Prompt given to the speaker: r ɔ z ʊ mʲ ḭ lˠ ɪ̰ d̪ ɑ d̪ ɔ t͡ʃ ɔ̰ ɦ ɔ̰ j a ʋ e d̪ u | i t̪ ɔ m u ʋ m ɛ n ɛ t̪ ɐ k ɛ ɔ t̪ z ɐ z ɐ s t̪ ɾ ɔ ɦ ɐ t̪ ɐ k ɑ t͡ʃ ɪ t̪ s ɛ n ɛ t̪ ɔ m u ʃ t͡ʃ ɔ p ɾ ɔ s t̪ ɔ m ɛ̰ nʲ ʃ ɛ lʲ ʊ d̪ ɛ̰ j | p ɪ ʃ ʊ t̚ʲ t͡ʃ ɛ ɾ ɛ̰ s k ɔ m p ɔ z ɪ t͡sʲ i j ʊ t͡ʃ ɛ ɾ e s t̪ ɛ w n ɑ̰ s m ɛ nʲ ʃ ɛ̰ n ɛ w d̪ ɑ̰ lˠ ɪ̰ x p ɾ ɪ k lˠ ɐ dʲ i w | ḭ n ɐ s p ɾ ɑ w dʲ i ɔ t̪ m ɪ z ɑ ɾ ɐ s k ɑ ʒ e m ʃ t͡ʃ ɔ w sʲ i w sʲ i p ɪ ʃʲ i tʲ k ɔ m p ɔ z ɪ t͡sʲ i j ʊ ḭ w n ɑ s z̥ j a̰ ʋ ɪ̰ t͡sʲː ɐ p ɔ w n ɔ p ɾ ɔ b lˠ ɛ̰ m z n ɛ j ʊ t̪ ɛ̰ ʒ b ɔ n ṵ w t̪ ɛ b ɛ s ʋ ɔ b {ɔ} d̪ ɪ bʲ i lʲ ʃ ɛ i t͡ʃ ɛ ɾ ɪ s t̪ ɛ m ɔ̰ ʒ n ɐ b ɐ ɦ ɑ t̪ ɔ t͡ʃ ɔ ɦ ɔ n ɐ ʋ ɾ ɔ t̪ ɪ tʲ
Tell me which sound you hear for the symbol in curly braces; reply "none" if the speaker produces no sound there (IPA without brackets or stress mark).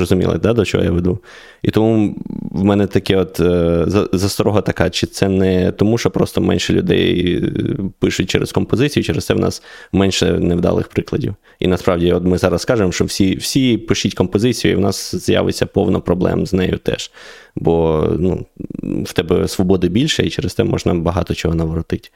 ɔ